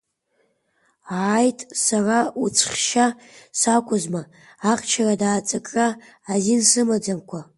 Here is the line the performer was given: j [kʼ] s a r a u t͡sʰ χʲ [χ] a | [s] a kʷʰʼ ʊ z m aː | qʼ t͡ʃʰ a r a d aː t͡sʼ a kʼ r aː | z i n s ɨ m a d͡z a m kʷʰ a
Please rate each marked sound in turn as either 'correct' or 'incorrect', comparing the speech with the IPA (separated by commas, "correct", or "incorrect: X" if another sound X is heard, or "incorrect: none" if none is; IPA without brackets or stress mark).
incorrect: tʼ, incorrect: ʃ, correct